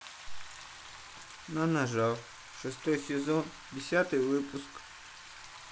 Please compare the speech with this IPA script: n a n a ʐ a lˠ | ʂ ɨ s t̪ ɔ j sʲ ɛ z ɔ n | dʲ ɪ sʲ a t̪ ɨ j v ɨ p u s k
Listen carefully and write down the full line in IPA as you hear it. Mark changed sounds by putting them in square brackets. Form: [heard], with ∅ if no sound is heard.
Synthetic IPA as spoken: n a n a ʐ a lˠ | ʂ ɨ s t̪ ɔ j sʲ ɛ z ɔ n | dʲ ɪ sʲ a t̪ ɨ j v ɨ p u s k

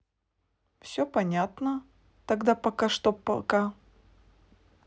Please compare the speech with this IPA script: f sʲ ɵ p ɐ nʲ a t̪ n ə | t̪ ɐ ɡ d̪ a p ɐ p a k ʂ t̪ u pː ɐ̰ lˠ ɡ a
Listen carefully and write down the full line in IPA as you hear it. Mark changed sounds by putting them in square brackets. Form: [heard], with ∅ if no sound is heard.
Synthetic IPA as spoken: f sʲ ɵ p ɐ nʲ a t̪ n ə | t̪ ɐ ɡ d̪ a p ɐ [k] a [∅] ʂ t̪ [o] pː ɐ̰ lˠ [k] a

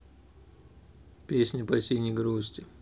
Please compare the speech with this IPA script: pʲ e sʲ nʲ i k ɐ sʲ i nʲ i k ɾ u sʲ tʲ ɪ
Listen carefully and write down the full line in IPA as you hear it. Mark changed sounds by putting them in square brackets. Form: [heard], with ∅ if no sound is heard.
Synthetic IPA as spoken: pʲ e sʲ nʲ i [p] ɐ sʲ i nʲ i [ɡ] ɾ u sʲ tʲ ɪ

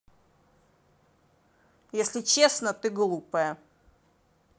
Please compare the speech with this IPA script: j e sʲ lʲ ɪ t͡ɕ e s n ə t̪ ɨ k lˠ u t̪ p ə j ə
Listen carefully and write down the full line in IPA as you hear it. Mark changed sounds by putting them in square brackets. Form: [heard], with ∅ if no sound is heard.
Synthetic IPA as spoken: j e sʲ lʲ ɪ t͡ɕ e s n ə t̪ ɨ [ɡ] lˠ u [∅] p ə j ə

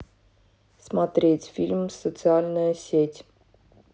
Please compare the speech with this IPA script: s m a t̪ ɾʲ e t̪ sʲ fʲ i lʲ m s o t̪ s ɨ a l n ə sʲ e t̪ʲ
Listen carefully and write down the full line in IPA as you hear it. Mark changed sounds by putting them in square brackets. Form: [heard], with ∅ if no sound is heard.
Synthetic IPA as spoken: s m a t̪ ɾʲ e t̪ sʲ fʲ i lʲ m s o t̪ s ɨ a l n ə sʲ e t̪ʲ

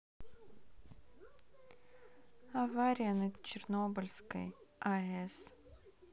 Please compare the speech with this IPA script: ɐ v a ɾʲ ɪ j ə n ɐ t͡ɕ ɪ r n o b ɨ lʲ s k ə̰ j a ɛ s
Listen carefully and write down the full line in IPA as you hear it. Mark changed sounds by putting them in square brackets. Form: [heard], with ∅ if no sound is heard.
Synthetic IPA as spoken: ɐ v a ɾʲ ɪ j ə n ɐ t͡ɕ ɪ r n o b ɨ lʲ s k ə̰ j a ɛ s

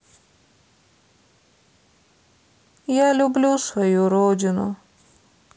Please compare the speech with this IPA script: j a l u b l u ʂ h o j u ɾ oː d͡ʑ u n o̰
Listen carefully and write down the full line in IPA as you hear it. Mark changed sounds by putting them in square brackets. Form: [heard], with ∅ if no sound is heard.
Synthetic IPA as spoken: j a l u b l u [s] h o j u ɾ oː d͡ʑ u n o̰

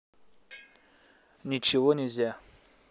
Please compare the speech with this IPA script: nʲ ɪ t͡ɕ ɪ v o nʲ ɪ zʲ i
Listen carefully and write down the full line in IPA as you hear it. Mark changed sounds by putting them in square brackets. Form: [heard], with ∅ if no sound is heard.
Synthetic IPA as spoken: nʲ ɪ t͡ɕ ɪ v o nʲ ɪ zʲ [a]

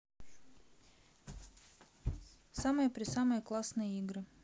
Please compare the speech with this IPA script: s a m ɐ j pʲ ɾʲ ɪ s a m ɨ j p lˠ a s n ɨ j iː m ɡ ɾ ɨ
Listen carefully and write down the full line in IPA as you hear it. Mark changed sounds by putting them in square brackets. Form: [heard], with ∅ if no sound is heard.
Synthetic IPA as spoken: s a m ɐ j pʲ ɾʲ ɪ s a m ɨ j [k] lˠ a s n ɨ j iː [∅] ɡ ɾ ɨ

